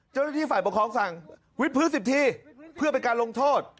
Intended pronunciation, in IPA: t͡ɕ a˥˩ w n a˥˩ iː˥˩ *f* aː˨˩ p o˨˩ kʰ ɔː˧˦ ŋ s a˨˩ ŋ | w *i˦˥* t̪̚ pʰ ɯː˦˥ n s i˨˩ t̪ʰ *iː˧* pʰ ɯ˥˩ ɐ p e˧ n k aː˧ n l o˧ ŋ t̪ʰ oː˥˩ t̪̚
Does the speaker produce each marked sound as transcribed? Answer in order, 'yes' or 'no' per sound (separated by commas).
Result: yes, yes, yes